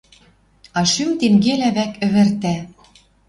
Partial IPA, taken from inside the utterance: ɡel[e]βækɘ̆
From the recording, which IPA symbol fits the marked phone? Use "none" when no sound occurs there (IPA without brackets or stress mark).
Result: æ